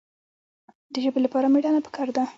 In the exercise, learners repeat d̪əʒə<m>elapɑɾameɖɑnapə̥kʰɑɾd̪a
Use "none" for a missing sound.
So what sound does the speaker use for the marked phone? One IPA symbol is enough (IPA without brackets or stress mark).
b